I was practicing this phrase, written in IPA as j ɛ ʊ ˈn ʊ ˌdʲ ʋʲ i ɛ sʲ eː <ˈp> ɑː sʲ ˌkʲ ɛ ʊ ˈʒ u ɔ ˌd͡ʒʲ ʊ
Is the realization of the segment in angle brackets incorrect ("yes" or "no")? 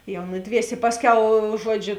no